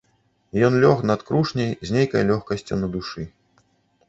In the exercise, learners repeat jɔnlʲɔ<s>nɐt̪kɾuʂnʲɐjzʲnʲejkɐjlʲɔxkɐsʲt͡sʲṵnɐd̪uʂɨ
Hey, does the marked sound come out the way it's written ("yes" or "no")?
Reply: no